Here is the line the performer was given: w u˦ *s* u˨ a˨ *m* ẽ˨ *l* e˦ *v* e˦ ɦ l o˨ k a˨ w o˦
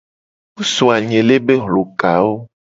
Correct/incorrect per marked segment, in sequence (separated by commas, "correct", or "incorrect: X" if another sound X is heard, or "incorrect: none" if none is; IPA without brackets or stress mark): correct, incorrect: ɲ, correct, incorrect: b